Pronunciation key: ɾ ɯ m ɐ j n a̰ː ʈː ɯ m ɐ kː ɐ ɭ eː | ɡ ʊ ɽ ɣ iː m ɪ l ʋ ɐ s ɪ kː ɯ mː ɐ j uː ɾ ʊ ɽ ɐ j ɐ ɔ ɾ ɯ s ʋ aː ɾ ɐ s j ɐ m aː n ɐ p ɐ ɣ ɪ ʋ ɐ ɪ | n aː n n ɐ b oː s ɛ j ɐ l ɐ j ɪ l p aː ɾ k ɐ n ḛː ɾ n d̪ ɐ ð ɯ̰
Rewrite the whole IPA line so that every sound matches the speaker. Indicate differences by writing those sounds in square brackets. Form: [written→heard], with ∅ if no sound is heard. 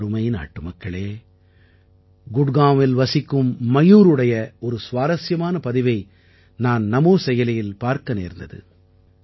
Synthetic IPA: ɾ ɯ m ɐ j n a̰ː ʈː ɯ m ɐ kː ɐ ɭ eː | ɡ ʊ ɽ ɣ [iː→aː] m ɪ l ʋ ɐ s ɪ kː ɯ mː ɐ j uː ɾ [ʊ→ɯ] ɽ ɐ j ɐ ɔ ɾ ɯ s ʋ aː ɾ ɐ s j ɐ m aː n ɐ p ɐ [ɣ→ð] ɪ ʋ ɐ ɪ | n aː n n ɐ [b→m] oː s ɛ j ɐ l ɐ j ɪ l p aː ɾ k ɐ n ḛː ɾ n d̪ ɐ ð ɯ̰